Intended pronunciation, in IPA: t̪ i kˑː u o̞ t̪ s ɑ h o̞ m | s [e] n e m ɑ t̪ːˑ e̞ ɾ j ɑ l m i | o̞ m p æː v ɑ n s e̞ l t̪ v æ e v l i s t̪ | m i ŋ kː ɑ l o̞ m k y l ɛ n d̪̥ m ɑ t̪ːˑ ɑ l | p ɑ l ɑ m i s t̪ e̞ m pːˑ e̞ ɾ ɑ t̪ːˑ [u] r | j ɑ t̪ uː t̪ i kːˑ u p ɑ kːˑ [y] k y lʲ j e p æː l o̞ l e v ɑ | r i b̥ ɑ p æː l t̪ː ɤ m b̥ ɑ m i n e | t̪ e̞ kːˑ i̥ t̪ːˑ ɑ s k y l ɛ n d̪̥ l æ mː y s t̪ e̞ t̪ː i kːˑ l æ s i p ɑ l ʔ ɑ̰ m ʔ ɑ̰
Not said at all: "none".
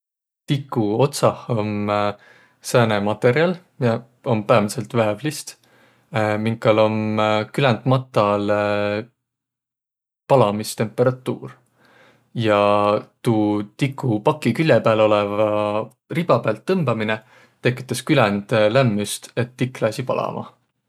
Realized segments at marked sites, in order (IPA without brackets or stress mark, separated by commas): æ, uː, i